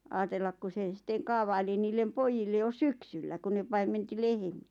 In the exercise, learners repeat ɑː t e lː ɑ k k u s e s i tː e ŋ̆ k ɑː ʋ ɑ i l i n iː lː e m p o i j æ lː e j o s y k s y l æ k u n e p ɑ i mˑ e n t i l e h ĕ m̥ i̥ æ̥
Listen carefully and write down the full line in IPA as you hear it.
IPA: ɑː t e lː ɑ k k u s e s i tː e ŋ̆ k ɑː ʋ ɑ i l i n iː lː e m p o i j i lː e j o s y k s y lː æ k u n e p ɑ i mˑ e n t i l e h ĕ m̥ i̥ æ̥